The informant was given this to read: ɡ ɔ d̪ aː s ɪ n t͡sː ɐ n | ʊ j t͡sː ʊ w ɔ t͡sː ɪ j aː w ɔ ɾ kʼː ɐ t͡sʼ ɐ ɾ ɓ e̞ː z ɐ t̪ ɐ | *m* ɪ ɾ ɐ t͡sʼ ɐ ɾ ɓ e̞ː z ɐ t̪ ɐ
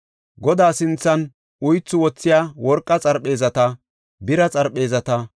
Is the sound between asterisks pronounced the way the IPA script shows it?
no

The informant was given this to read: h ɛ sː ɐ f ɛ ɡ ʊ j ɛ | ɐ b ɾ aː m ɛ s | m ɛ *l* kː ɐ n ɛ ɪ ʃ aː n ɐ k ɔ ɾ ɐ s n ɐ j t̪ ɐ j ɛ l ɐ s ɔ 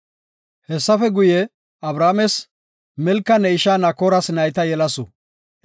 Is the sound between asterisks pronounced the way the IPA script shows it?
yes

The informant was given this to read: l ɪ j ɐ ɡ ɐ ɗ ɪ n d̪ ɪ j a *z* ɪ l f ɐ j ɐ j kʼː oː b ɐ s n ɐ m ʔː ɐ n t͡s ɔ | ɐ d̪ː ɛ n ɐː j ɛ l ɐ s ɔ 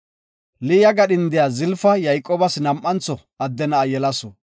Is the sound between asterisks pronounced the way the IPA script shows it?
yes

